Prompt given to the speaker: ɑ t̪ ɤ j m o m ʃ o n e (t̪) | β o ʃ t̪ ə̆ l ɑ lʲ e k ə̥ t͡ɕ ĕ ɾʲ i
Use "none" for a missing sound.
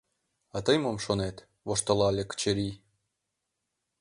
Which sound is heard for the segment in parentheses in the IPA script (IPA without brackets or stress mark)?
t̪